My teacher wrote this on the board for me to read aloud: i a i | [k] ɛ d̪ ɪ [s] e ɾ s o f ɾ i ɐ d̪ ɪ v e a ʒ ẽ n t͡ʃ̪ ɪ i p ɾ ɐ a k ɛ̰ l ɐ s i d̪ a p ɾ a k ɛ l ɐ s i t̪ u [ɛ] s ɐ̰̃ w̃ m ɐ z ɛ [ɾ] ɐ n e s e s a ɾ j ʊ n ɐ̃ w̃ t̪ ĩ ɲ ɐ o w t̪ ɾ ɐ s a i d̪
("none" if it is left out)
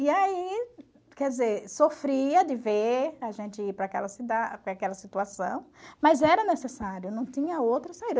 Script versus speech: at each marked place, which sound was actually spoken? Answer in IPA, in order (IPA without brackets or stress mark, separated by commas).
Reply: k, z, a, ɾ